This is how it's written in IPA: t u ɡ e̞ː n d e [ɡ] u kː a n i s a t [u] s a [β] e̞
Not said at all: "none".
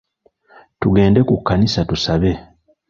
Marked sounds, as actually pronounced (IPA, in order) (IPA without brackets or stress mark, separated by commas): k, u, β